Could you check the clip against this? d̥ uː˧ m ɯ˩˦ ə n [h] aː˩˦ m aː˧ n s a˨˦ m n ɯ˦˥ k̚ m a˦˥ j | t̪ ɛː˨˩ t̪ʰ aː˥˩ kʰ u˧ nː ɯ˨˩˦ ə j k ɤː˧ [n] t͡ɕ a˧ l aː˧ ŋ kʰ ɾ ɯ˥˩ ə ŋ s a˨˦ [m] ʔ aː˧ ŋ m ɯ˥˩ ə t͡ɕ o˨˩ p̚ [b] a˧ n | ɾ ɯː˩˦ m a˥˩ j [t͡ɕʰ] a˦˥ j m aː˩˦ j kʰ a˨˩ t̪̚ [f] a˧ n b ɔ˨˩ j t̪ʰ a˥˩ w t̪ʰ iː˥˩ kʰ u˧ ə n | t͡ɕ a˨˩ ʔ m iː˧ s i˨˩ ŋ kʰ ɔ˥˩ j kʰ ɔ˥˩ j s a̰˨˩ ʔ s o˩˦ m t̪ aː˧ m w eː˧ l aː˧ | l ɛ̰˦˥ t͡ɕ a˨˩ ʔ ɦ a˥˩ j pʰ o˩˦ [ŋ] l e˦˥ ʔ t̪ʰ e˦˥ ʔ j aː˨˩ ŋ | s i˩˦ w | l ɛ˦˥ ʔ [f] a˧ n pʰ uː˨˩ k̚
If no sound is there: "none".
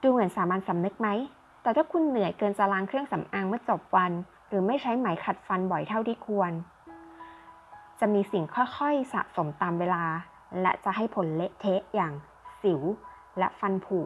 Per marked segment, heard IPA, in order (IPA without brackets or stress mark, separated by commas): s, n, m, w, t͡ɕʰ, f, n, f